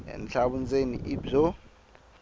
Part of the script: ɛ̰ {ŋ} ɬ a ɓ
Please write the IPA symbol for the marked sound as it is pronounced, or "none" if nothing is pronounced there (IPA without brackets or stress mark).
n